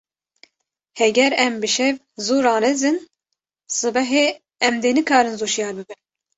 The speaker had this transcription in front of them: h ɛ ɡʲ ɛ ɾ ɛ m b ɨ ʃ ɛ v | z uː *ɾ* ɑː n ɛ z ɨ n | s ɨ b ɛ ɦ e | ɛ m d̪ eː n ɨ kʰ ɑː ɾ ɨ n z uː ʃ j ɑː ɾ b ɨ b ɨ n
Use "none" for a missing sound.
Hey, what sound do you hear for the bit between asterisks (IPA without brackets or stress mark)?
ɾ